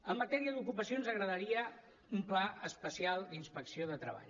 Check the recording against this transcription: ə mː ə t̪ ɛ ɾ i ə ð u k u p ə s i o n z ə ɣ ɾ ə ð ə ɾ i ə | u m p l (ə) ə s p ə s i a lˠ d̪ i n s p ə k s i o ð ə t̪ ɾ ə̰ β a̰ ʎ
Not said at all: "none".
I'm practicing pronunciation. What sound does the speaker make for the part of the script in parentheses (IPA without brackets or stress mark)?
a